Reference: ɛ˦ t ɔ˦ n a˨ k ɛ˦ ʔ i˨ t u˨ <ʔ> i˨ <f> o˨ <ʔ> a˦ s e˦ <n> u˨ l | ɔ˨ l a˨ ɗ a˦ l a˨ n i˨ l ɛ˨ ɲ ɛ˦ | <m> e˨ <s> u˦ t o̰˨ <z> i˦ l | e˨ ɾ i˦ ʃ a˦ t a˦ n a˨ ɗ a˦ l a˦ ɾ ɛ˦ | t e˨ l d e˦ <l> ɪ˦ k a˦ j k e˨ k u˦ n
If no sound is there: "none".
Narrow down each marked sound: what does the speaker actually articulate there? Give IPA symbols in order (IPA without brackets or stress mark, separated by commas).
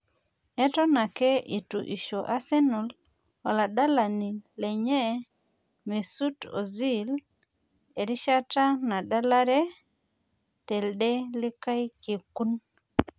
ʔ, ʃ, ʔ, n, m, s, z, l